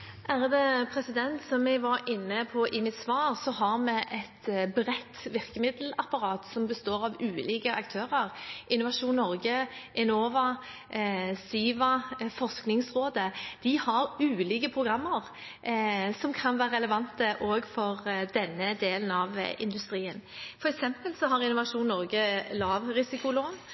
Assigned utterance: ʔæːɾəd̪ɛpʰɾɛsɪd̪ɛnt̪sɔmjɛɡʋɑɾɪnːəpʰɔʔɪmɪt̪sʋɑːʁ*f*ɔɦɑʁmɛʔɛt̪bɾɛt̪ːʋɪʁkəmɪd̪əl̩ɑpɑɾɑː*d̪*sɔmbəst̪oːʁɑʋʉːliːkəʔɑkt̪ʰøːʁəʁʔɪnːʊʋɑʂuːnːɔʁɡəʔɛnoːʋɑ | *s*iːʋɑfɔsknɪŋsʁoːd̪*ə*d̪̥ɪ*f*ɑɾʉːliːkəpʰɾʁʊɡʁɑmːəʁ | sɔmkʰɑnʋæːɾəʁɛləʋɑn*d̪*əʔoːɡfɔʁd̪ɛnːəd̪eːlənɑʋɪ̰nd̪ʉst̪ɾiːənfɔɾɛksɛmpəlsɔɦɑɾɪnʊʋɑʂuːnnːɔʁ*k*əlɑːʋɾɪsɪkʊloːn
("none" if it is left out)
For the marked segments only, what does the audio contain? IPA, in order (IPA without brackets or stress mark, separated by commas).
s, t̪, s, ə, h, t̪, ɡ